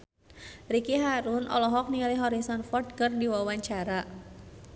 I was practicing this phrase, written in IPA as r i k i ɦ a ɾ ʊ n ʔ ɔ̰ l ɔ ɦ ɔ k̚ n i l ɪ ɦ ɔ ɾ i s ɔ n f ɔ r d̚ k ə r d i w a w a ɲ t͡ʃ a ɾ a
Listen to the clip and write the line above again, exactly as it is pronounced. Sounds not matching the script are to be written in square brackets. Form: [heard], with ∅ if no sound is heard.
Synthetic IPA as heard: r i k i ɦ a ɾ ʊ n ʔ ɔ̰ l ɔ ɦ ɔ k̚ n i l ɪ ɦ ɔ ɾ i s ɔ n f ɔ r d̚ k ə r d i w a w a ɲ t͡ʃ a ɾ a